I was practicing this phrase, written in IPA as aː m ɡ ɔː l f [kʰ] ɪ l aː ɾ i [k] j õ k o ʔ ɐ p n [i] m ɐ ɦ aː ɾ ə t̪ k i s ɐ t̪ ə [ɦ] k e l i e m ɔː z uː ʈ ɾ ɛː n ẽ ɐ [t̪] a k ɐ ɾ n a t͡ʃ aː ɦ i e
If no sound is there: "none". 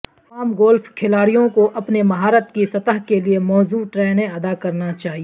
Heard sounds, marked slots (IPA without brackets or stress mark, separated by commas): kʰ, none, e, ɦ, d̪